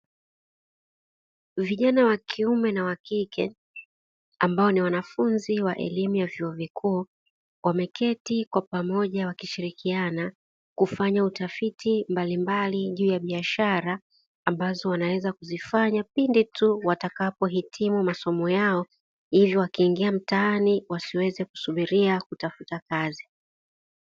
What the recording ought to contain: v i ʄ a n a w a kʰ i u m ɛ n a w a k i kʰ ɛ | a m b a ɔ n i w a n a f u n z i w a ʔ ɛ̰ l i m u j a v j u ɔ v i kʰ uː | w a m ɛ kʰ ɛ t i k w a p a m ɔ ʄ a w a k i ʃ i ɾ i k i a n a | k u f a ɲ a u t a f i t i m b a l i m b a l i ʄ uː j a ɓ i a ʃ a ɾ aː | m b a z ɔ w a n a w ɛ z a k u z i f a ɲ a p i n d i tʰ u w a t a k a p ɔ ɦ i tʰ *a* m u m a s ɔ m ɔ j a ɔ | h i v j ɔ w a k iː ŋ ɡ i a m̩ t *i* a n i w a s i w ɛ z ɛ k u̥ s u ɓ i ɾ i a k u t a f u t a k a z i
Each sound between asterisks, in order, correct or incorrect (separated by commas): incorrect, incorrect